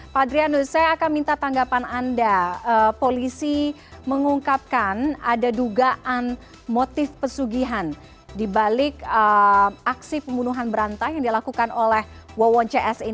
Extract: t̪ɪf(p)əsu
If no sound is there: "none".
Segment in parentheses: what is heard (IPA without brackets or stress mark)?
p